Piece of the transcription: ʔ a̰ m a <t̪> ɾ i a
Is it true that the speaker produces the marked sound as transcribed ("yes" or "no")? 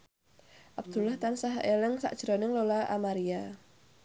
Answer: no